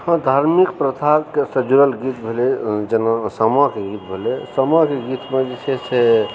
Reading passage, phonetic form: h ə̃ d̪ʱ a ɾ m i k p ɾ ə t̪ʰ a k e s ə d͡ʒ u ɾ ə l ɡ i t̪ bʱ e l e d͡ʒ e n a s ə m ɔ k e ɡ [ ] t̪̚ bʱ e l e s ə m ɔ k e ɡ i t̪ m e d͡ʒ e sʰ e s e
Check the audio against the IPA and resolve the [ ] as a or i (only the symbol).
i